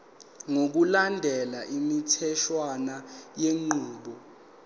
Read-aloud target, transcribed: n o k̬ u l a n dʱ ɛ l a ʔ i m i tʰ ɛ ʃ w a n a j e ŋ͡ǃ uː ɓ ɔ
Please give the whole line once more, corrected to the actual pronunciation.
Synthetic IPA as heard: ŋ o k̬ u l a n dʱ ɛ l a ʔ i m i tʰ ɛ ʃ w a n a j e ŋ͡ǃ uː ɓ ɔ